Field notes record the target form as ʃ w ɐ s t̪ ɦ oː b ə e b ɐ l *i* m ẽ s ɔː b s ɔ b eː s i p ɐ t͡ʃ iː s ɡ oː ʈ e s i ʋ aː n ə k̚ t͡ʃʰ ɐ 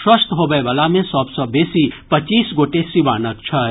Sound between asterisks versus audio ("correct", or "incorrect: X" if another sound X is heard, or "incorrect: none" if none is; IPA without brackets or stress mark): incorrect: a